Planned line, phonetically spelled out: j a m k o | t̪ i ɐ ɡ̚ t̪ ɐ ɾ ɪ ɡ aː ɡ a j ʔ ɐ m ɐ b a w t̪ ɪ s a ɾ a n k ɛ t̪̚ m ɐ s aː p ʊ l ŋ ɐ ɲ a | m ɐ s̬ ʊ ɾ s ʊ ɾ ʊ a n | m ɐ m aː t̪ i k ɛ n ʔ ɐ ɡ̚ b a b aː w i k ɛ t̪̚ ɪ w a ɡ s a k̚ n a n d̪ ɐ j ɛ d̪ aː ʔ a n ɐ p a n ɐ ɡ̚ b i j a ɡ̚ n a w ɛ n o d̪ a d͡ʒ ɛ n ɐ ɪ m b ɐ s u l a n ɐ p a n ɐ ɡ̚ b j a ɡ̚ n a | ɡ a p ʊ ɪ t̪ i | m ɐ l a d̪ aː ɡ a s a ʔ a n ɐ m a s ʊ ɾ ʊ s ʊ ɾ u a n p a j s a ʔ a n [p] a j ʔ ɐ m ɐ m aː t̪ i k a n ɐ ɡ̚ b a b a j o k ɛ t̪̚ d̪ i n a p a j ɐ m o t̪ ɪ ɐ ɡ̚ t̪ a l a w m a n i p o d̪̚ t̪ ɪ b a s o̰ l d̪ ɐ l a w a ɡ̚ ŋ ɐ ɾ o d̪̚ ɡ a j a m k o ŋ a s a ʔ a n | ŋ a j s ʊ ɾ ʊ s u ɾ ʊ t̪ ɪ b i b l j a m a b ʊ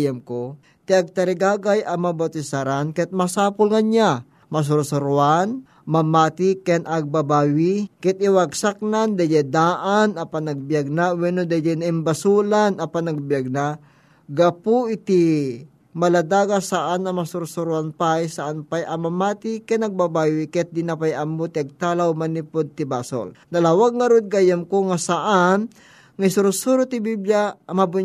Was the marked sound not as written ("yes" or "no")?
no